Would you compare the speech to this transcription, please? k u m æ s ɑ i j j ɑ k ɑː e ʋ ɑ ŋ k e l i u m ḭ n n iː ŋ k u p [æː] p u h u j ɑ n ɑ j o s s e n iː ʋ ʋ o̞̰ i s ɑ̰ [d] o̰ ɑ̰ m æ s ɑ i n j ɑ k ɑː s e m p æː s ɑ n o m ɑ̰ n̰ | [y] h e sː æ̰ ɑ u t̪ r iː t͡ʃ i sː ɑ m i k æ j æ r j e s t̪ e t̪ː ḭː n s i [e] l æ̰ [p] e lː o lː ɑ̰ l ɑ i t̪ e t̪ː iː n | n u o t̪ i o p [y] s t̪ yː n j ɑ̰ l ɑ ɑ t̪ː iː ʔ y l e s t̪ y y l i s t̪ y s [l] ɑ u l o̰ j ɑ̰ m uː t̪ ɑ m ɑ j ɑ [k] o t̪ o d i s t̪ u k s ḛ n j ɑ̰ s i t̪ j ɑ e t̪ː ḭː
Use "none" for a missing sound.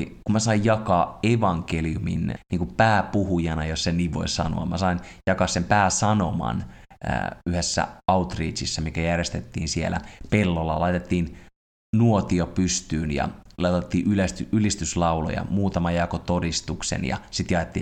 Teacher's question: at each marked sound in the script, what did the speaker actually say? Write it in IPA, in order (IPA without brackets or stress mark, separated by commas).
æː, n, y, e, p, y, l, k